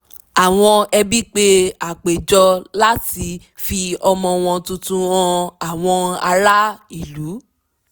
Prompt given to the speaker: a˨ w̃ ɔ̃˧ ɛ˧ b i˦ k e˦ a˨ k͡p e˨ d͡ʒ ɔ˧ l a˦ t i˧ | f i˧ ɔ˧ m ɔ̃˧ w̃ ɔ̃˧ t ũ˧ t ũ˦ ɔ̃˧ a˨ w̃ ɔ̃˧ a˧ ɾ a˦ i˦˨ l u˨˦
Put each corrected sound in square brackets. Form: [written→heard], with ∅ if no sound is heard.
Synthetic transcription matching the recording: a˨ w̃ ɔ̃˧ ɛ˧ b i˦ [k→k͡p] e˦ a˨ k͡p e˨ d͡ʒ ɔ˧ l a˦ t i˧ | f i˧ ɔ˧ m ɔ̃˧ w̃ ɔ̃˧ t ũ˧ t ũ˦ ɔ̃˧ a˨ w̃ ɔ̃˧ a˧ ɾ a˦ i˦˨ l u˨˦

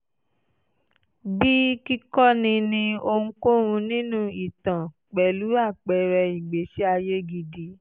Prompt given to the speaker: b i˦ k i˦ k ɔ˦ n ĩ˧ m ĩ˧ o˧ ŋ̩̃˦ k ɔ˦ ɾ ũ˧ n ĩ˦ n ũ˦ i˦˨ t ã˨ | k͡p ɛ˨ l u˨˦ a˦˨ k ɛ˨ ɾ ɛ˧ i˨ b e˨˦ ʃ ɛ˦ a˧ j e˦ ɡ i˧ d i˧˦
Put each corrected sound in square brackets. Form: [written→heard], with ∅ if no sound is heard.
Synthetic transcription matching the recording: b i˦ k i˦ k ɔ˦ n ĩ˧ [m→n] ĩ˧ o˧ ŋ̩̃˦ k [ɔ˦→o˦] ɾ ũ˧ n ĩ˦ n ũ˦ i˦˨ t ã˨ | k͡p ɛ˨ l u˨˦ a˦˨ [k→k͡p] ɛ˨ ɾ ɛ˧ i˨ [b→ɡ͡b] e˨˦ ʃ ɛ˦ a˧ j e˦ ɡ i˧ d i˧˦

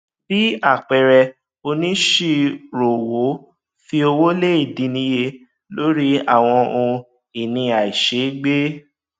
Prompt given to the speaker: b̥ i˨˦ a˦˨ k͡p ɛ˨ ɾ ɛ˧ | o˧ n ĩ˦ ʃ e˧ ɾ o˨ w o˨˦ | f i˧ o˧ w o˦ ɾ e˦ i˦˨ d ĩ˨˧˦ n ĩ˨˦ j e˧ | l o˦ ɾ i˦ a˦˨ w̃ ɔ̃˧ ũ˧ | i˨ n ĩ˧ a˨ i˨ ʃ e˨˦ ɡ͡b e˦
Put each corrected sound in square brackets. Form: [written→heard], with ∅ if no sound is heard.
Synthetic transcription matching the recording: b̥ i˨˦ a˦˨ k͡p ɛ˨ ɾ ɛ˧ | o˧ n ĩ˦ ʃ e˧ ɾ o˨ w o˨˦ | f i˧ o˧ w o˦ [ɾ→l] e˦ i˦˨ d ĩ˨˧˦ n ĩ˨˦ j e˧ | l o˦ ɾ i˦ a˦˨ w̃ ɔ̃˧ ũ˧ | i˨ n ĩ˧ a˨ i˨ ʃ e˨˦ ɡ͡b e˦

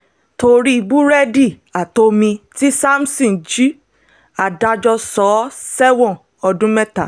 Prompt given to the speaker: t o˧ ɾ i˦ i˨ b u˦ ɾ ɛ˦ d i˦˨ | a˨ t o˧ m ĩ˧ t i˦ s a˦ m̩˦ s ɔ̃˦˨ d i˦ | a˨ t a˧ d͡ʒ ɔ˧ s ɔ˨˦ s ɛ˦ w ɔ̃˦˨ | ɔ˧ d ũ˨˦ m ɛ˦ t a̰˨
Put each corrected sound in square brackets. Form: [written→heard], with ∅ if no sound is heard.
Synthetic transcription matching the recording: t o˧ ɾ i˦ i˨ b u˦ ɾ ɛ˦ d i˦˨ | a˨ t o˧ m ĩ˧ t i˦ s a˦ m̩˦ s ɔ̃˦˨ [d→d͡ʒ] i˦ | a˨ [t→d] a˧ d͡ʒ ɔ˧ s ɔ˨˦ s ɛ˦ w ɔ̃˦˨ | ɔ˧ d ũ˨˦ m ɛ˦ t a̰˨

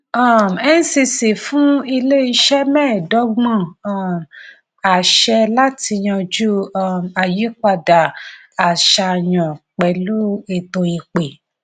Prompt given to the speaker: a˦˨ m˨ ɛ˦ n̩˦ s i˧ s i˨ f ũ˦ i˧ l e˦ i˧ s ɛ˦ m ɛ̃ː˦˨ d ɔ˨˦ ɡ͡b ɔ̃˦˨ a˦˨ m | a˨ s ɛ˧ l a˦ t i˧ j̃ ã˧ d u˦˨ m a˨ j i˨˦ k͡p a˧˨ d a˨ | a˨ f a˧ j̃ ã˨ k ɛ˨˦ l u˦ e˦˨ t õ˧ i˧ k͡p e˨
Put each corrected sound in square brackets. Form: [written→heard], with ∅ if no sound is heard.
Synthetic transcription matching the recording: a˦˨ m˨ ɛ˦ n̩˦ s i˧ s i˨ f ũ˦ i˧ l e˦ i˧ [s→ʃ] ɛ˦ m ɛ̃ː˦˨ d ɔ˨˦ ɡ͡b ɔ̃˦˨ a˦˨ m | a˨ [s→ʃ] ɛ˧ l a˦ t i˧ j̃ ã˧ [d→d͡ʒ] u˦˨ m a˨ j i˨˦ k͡p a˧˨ d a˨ | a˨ [f→ʃ] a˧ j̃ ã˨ [k→k͡p] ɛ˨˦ l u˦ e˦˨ t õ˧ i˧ k͡p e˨

